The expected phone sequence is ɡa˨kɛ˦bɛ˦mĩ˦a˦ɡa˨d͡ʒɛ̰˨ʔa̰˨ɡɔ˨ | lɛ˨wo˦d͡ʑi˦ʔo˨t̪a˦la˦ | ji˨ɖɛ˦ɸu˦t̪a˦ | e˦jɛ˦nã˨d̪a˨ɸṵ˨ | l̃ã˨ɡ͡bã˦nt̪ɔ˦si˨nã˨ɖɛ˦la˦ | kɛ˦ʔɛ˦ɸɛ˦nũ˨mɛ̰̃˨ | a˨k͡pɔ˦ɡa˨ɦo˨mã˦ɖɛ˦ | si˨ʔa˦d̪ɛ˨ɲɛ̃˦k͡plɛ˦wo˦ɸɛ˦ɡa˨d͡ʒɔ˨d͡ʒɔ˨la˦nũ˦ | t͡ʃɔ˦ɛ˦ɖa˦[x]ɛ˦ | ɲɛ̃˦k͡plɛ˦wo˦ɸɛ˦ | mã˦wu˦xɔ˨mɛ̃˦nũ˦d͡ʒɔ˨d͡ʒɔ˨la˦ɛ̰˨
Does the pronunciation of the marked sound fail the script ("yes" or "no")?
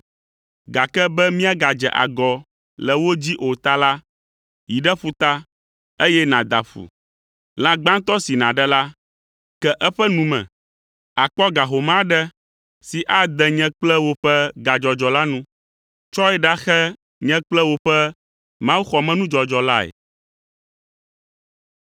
no